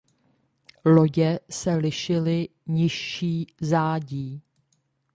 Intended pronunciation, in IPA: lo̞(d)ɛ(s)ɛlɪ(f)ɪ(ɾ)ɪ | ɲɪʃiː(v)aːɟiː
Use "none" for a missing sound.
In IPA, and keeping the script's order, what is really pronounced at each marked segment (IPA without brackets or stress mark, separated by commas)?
ɟ, s, ʃ, l, z